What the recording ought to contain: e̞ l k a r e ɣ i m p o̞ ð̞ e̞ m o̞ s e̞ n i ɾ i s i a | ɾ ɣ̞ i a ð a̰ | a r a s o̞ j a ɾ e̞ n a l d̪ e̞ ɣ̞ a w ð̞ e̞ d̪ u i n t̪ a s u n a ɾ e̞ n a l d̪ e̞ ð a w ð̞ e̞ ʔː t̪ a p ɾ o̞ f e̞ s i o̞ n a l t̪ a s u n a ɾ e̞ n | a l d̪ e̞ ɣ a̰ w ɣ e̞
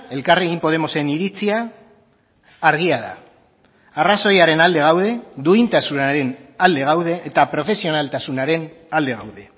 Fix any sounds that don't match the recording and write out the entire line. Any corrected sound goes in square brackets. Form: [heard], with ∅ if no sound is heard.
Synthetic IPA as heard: e̞ l k a r e ɣ i m p o̞ ð̞ e̞ m o̞ s e̞ n i ɾ i [t͡s] i a | ɾ ɣ̞ i a ð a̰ | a r a s o̞ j a ɾ e̞ n a l d̪ e̞ ɣ̞ a w ð̞ e̞ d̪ u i n t̪ a s u n a ɾ e̞ n a l d̪ e̞ [ɣ] a w ð̞ e̞ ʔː t̪ a p ɾ o̞ f e̞ s i o̞ n a l t̪ a s u n a ɾ e̞ n | a l d̪ e̞ ɣ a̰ w [ð] e̞